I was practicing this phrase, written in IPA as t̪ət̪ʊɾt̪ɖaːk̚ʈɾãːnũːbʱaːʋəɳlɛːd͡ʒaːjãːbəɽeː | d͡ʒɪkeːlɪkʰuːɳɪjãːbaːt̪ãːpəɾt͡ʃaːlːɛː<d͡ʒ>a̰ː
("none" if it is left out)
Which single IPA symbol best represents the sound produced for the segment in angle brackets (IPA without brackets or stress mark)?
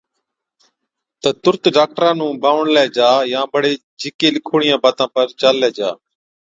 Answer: d͡ʒ